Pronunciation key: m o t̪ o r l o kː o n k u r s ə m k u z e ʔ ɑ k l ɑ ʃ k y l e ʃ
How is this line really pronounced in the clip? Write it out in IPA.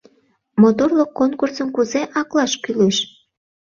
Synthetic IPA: m o t̪ o r l o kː o n k u r s ə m k u z e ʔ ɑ k l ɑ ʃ k y l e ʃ